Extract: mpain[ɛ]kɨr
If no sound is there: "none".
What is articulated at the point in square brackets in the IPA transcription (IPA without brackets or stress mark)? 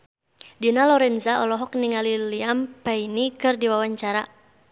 i